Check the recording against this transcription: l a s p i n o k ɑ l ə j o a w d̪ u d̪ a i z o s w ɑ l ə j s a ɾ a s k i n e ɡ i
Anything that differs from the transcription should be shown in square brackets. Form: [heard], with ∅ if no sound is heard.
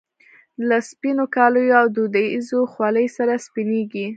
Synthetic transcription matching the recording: l a s p i n o k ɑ l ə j o a w d̪ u d̪ a i z o [x] w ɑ l ə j s a ɾ a s [p] i n e ɡ i